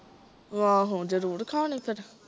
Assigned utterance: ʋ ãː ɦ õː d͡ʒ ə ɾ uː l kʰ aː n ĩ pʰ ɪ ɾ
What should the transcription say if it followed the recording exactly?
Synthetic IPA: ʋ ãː ɦ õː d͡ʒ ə ɾ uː ɾ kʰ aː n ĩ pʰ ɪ ɾ